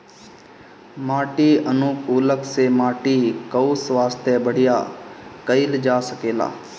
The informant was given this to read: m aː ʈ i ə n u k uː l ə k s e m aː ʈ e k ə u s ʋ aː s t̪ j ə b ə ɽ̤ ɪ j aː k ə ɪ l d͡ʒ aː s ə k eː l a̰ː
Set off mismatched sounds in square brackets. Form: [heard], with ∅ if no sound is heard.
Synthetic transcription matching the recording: m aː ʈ i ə n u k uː l ə k s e m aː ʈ [i] k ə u s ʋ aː s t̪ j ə b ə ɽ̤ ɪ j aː k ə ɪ l d͡ʒ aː s ə k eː l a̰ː